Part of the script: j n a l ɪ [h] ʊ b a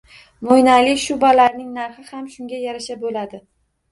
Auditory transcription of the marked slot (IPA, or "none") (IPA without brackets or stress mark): ʃ